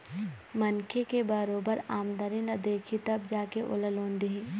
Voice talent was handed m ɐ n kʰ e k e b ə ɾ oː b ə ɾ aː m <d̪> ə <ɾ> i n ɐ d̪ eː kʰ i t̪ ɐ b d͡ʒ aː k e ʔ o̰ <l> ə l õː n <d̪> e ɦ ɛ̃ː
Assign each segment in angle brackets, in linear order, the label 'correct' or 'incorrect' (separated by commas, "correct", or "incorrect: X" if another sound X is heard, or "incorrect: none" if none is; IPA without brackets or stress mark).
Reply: correct, correct, correct, correct